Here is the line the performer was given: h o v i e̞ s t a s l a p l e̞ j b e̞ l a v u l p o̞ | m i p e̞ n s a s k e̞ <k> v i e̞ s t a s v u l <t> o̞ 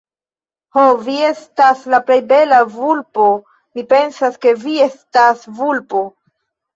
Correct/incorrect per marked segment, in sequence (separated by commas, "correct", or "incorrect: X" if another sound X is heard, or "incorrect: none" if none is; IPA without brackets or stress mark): incorrect: none, incorrect: p